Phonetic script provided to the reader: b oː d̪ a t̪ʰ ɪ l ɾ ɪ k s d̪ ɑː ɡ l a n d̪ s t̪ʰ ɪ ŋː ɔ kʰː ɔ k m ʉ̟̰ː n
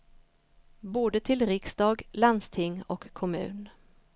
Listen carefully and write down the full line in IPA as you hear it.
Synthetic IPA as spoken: b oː d̪ ə t̪ʰ ɪ l ɾ ɪ k s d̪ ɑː ɡ l a n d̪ s t̪ʰ ɪ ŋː ɔ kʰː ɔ m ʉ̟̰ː n

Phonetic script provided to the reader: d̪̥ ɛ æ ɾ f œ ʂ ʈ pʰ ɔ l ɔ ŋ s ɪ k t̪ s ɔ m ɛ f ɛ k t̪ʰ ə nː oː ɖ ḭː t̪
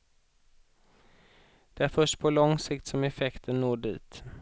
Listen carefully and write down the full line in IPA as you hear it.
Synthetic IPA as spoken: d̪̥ ɛ æ ɾ f œ ʂ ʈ pʰ ɔ l ɔ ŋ s ɪ k t̪ s ɔ m ɛ f ɛ k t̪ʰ ə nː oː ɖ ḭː t̪

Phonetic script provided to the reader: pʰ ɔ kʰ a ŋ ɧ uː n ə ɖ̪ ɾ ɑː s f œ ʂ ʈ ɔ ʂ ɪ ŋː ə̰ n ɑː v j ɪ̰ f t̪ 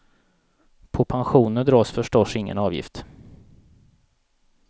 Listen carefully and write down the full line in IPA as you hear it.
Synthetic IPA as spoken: pʰ ɔ pʰ a n ɧ uː n ə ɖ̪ ɾ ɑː s f œ ʂ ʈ ɔ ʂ ɪ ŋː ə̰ n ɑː v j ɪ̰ f t̪

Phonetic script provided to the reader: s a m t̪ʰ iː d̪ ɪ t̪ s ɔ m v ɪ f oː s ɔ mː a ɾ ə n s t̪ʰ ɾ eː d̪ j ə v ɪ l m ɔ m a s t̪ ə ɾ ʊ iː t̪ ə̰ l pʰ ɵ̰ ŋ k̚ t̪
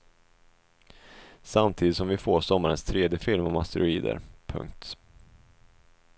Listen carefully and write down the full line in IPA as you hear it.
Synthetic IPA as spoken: s a m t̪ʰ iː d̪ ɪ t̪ s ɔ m v ɪ f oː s ɔ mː a ɾ ə n s t̪ʰ ɾ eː d̪ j ə f ɪ l m ɔ m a s t̪ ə ɾ ʊ iː d̪ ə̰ ɾ pʰ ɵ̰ ŋ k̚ t̪

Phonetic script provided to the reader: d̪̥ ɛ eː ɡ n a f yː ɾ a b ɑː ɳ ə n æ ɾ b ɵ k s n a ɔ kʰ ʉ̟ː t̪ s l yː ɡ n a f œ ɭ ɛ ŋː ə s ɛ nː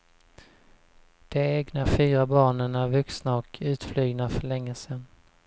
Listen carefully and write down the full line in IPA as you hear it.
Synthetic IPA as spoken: d̪̥ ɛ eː ɡ n a f yː ɾ a b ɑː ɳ ə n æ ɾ v ɵ k s n a ɔ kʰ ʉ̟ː t̪ f l yː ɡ n a f œ ɭ ɛ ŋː ə s ɛ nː

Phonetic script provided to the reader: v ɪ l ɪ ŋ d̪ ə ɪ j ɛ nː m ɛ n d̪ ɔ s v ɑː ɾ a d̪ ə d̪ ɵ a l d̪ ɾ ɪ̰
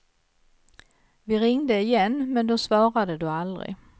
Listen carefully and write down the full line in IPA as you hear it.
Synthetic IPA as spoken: v ɪ ɾ ɪ ŋ d̪ ə ɪ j ɛ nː m ɛ n d̪ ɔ s v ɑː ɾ a d̪ ə d̪ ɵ a l d̪ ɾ ɪ̰

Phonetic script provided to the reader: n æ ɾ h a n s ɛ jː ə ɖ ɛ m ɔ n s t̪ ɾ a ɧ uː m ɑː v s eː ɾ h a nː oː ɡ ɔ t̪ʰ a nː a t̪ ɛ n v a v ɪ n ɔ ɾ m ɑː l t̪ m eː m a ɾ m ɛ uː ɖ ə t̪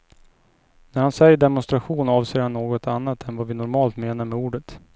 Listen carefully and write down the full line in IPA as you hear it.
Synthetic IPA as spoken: n æ ɾ h a n s ɛ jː ə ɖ ɛ m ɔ n s t̪ ɾ a ɧ uː n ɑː v s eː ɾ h a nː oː ɡ ɔ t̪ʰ a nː a t̪ ɛ n v a v ɪ n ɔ ɾ m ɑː l t̪ m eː n a ɾ m ɛ uː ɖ ə t̪

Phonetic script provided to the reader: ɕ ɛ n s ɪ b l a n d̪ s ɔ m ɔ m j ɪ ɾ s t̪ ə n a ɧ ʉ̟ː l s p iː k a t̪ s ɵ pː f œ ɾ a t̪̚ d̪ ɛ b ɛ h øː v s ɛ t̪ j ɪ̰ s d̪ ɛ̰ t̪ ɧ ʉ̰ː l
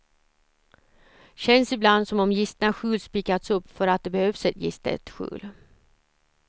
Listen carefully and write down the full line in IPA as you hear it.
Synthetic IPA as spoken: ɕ ɛ n s ɪ b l a n d̪ s ɔ m ɔ m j ɪ s t̪ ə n a ɧ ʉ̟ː l s p iː k a t̪ s ɵ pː f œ ɾ a t̪̚ d̪ ɛ b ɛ h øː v s ɛ t̪ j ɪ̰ s t̪ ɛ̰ t̪ ɧ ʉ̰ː l

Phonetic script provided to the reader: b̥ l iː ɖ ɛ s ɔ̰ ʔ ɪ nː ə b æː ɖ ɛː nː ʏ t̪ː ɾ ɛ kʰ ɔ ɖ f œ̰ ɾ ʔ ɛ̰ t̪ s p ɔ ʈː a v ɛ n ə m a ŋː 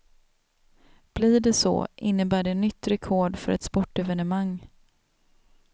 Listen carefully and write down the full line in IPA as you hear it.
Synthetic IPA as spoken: b̥ l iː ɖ ɛ s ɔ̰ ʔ ɪ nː ə b æː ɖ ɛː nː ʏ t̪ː ɾ ɛ kʰ ɔ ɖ f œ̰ ɾ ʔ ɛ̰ t̪ s p ɔ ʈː ɛ v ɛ n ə m a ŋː

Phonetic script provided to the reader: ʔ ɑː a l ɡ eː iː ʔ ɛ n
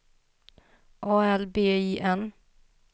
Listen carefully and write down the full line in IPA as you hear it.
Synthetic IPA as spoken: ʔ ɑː ɛ l b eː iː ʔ ɛ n

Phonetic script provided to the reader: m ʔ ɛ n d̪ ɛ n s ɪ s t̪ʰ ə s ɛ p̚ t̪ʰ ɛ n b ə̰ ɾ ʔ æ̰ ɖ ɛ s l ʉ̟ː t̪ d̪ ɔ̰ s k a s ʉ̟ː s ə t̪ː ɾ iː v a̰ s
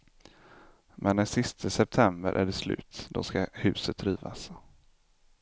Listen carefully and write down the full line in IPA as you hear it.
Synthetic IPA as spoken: m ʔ ɛ n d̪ ɛ n s ɪ s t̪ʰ ə s ɛ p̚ t̪ʰ ɛ m b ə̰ ɾ ʔ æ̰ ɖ ɛ s l ʉ̟ː t̪ d̪ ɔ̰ s k a h ʉ̟ː s ə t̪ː ɾ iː v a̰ s

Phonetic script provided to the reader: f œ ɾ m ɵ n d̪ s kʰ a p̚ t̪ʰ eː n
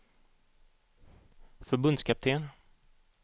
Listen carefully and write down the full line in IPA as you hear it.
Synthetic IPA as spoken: f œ ɾ b ɵ n d̪ s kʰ a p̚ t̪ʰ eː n

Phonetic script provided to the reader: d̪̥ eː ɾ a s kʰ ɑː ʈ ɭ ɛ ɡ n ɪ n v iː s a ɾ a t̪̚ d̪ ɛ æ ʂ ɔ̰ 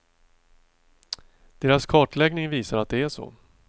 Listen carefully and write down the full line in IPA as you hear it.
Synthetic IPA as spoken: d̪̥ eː ɾ a s kʰ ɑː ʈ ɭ ɛ ɡ n ɪ ŋ v iː s a ɾ a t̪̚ d̪ ɛ æ ʂ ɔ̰

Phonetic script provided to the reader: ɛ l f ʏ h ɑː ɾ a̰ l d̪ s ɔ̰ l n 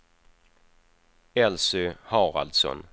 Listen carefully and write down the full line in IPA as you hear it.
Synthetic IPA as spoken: ɛ l s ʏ h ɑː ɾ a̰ l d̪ s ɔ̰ n

